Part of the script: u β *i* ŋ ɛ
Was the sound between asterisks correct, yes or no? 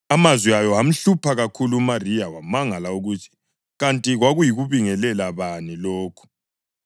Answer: yes